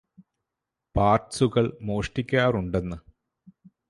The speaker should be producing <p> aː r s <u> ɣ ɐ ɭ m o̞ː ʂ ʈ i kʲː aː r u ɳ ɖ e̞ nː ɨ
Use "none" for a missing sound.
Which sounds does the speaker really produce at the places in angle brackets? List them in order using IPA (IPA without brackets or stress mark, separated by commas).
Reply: p, u